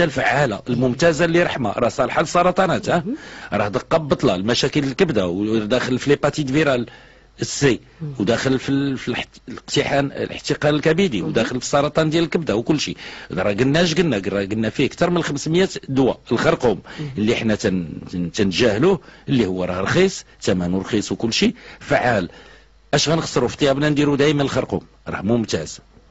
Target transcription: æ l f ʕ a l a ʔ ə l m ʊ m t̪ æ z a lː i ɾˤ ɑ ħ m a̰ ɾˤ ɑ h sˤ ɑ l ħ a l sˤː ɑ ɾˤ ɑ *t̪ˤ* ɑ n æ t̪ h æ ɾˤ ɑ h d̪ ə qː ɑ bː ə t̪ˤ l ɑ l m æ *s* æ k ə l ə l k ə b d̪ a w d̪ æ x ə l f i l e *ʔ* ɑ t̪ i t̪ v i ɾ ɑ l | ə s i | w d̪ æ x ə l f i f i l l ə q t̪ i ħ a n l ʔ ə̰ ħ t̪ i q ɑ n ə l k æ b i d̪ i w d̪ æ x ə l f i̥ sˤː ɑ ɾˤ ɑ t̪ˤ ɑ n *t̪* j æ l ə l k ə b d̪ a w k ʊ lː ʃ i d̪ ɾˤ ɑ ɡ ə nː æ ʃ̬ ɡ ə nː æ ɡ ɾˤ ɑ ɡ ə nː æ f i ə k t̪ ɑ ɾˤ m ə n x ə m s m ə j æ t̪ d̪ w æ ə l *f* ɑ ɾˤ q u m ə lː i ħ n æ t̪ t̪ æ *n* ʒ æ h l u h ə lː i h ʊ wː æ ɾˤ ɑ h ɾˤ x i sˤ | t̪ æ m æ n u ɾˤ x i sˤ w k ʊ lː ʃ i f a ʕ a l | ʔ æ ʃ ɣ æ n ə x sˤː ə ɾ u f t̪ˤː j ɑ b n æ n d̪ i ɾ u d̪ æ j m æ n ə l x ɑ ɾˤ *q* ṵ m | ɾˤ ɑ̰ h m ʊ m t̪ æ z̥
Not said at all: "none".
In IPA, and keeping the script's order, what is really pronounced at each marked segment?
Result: t̪ˤ, ʃ, p, d̪, x, n, q

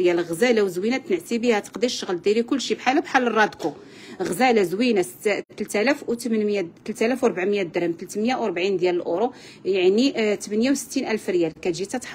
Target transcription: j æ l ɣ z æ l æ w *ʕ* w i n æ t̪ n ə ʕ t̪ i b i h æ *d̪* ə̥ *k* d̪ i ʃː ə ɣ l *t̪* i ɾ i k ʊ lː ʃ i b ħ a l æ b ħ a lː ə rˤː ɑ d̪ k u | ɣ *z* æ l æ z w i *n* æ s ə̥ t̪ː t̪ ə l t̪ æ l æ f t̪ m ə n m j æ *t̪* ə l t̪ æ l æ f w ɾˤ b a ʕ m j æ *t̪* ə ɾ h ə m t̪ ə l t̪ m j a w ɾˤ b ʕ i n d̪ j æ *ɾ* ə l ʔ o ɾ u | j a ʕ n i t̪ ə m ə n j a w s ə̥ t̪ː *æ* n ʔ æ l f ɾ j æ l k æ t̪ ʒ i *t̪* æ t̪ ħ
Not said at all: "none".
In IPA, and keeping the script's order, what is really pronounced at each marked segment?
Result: z, t̪, q, d̪, z, n, t̪, d̪, l, i, t̪

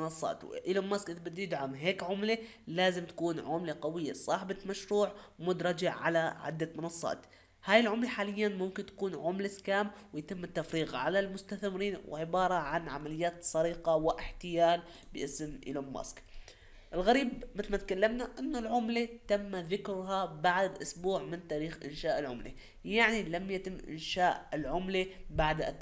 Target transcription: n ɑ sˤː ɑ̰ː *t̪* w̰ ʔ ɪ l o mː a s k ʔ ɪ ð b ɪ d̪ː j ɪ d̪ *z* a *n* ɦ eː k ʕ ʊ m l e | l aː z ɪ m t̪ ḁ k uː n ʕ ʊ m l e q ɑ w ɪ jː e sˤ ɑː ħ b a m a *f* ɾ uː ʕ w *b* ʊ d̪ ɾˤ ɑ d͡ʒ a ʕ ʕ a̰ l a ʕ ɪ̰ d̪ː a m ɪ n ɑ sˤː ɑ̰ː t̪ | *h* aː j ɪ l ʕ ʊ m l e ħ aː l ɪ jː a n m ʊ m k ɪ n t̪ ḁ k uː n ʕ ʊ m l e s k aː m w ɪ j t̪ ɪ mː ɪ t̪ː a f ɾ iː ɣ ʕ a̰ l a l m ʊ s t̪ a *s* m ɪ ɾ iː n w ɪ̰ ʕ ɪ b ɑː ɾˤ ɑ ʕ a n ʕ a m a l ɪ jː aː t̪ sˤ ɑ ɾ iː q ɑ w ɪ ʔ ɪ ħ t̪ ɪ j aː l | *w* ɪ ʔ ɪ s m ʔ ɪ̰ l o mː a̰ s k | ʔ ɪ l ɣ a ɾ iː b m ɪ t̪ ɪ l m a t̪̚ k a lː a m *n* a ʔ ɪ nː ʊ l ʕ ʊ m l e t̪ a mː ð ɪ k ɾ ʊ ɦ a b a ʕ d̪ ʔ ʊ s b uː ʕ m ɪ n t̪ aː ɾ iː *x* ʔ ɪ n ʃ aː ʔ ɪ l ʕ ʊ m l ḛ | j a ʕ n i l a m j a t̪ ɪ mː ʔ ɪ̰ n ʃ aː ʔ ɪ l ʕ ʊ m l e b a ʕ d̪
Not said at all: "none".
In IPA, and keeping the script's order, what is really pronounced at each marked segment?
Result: t̪, ʕ, m, ʃ, m, h, θ, b, n, x

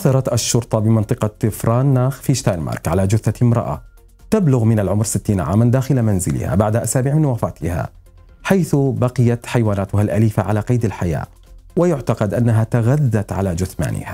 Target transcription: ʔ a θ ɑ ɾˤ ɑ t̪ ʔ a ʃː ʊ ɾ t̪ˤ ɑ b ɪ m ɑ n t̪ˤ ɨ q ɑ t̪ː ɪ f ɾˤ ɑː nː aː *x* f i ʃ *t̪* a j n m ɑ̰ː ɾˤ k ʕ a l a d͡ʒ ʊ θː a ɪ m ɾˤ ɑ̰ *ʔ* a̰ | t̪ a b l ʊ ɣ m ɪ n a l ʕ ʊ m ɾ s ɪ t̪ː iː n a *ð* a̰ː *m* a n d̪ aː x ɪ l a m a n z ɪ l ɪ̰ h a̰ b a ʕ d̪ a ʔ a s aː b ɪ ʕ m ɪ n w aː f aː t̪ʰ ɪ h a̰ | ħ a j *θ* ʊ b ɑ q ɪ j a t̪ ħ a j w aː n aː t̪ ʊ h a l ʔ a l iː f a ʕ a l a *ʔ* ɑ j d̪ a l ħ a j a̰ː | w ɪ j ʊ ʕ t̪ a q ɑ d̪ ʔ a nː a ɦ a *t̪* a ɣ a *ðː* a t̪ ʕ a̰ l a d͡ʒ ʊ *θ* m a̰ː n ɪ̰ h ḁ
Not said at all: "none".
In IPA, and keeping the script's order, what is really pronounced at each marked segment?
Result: x, t̪, ʔ, ʕ, m, θ, q, t̪, ðː, θ

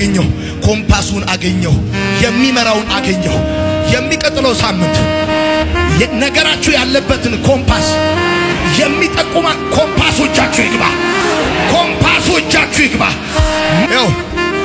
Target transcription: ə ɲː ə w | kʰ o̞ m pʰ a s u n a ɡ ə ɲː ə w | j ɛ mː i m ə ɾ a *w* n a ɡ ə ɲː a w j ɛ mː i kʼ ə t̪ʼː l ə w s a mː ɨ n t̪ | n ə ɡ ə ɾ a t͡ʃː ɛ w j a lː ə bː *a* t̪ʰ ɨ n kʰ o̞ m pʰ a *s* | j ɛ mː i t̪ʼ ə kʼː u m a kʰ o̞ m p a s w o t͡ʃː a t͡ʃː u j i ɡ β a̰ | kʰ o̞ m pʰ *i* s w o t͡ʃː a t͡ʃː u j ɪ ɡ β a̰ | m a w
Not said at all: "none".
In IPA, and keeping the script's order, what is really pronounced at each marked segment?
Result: w, ə, s, a

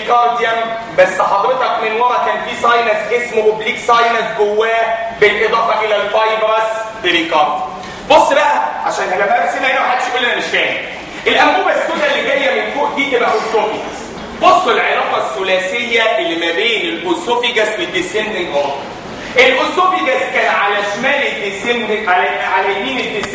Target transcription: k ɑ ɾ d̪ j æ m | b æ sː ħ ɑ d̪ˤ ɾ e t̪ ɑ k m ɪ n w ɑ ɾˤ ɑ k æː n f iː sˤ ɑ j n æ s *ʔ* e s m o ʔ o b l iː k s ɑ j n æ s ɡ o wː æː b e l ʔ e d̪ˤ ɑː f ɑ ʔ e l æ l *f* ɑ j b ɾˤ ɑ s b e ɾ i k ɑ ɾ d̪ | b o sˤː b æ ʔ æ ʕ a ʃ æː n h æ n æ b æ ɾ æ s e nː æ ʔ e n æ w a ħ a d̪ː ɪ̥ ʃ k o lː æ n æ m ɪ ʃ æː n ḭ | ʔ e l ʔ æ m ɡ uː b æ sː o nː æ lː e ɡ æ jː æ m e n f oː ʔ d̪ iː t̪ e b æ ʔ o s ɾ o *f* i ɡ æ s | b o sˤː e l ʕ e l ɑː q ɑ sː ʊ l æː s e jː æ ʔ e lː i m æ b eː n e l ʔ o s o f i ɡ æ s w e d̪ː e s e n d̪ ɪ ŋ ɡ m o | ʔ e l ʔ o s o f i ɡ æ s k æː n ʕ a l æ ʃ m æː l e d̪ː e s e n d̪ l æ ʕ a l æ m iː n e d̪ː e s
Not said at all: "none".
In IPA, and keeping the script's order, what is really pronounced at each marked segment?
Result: ʔ, f, f

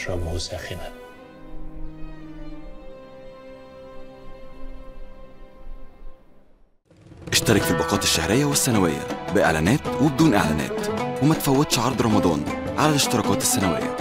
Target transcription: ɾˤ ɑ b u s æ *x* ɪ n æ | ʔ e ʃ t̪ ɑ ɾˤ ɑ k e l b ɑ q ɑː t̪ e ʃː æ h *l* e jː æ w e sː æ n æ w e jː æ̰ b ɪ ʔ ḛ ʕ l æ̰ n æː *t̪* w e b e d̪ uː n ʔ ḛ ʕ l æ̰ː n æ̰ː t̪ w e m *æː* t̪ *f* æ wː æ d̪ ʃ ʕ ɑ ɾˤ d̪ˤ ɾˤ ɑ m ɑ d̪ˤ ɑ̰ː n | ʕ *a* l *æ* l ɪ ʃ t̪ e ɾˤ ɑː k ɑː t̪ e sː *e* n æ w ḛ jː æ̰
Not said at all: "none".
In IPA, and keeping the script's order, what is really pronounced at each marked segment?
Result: x, ɾ, t̪, æ, f, a, æ, æ

